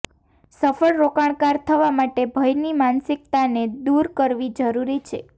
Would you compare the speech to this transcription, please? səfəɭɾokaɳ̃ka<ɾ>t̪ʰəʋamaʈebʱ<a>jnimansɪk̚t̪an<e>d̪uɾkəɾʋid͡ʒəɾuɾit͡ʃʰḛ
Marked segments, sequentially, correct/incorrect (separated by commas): correct, incorrect, correct